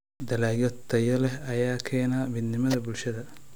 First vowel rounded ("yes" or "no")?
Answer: no